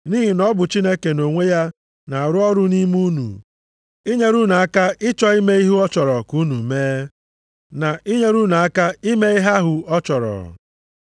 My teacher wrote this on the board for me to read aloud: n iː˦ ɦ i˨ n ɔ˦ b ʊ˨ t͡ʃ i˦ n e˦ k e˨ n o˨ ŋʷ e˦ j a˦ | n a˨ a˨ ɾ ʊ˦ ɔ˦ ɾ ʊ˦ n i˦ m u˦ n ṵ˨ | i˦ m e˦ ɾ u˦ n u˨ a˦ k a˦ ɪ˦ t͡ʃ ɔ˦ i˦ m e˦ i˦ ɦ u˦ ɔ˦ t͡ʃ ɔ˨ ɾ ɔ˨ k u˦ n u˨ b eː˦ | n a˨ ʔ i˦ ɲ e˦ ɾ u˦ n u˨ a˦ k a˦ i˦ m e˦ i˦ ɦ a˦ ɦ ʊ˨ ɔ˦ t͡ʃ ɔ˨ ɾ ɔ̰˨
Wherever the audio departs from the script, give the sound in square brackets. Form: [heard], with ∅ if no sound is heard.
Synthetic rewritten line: n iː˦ ɦ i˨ n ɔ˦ b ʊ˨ t͡ʃ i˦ n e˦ k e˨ n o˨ ŋʷ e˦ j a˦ | n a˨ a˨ ɾ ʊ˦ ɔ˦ ɾ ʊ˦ n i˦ m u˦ n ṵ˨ | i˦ [ɲ] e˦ ɾ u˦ n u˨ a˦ k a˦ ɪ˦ t͡ʃ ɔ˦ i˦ m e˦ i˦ ɦ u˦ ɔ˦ t͡ʃ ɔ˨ ɾ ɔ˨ k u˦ n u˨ [m] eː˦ | n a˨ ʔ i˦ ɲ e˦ ɾ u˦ n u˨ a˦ k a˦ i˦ m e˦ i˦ ɦ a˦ ɦ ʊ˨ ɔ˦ t͡ʃ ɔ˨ ɾ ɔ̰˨